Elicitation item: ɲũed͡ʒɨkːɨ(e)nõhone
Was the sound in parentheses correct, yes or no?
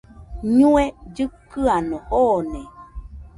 no